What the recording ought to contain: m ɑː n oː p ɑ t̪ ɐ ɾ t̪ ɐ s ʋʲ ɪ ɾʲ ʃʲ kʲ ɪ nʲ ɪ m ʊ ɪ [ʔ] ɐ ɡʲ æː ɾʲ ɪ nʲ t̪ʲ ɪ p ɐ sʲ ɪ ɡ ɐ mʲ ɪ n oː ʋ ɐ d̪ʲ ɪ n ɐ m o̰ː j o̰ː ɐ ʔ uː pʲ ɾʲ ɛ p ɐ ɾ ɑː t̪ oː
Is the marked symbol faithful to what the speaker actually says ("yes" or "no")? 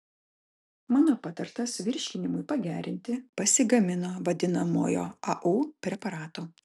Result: no